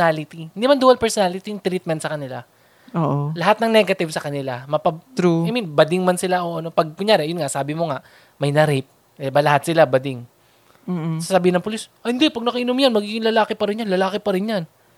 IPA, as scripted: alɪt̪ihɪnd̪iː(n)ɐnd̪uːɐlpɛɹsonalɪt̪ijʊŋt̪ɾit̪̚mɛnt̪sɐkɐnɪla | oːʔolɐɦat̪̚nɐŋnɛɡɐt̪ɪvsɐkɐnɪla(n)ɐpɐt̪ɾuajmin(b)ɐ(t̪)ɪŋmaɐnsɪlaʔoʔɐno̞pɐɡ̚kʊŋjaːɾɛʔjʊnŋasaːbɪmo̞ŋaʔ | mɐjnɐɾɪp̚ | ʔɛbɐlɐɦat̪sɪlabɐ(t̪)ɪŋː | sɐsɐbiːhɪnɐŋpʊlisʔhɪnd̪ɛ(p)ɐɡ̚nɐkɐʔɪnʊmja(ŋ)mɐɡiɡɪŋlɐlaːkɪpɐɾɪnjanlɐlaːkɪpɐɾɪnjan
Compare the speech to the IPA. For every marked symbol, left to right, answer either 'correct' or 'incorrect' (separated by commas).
incorrect, incorrect, correct, incorrect, incorrect, correct, incorrect